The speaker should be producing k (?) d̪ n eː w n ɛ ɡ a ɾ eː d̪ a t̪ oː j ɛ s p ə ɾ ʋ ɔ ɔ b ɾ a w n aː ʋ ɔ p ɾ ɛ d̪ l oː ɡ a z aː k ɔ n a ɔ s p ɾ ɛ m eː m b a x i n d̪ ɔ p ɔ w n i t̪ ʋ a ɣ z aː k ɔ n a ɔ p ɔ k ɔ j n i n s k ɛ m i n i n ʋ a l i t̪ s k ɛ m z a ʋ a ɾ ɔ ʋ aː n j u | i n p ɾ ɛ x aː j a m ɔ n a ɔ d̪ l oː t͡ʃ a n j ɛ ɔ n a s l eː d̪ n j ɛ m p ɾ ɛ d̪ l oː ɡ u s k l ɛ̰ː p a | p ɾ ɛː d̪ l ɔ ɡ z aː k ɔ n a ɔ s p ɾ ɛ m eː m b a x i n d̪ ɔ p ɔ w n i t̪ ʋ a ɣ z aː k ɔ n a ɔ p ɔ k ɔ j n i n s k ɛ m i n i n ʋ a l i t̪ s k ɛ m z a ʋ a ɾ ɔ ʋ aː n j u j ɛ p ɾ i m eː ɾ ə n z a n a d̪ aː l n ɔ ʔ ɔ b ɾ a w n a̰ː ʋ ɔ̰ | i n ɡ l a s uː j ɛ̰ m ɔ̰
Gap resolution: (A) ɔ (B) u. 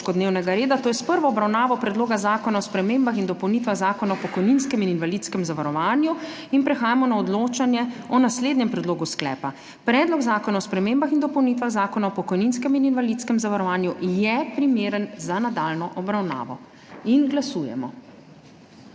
A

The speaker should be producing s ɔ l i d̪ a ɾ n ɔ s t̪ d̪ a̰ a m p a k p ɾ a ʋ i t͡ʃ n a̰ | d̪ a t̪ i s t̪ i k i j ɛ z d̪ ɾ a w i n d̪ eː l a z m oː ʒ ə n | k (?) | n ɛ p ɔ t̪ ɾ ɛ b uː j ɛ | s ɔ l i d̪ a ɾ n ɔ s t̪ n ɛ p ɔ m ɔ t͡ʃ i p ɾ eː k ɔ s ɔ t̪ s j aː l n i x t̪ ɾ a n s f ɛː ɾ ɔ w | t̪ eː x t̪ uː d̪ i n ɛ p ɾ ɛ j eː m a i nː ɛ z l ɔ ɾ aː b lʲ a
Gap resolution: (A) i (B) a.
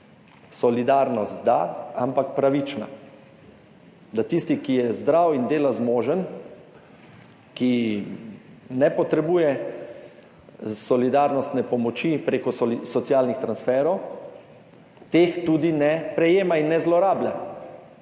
A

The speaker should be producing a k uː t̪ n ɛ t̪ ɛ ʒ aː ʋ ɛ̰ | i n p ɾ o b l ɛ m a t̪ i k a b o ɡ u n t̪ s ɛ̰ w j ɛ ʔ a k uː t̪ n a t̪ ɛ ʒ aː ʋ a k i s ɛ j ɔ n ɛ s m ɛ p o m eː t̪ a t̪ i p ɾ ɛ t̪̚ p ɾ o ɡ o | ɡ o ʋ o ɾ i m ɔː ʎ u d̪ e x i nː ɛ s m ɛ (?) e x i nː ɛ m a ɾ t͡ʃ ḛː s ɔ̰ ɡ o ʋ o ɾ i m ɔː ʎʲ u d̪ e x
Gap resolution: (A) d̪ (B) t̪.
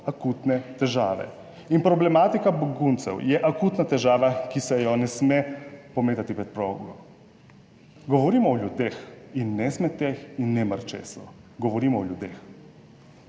B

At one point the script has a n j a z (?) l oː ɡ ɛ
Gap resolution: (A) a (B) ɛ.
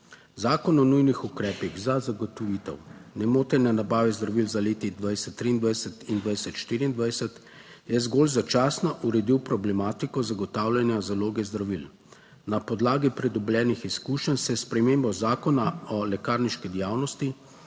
A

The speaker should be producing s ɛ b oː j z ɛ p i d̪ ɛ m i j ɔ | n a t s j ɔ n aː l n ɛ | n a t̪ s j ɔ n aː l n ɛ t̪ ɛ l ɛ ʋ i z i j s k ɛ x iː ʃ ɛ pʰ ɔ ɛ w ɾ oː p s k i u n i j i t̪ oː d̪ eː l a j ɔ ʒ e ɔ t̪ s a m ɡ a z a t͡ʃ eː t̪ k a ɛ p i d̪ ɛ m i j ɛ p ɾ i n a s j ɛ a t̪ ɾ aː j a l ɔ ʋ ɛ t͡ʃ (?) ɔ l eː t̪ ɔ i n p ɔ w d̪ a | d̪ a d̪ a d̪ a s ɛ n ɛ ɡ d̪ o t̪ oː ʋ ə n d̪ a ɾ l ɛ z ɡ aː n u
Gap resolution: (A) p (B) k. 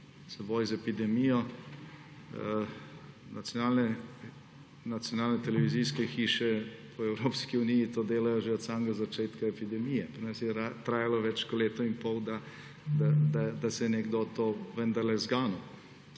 B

